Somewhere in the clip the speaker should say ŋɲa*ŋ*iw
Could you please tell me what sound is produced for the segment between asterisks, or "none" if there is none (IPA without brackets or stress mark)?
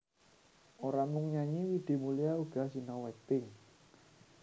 ɲ